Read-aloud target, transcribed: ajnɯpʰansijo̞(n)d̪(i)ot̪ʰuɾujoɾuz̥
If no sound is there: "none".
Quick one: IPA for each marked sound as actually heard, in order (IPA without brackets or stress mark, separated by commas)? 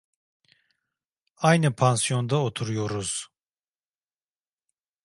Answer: n, a